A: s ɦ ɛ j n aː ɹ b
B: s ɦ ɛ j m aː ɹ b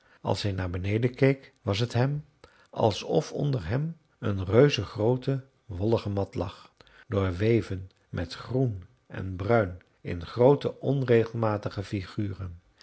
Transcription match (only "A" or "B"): A